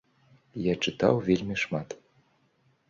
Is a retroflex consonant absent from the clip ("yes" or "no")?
no